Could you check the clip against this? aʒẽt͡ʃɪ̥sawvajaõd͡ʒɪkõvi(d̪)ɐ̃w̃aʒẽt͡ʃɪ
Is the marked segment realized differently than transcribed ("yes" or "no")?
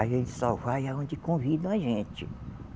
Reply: no